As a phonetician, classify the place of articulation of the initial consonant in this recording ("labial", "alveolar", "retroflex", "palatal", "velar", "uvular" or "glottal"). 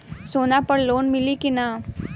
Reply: alveolar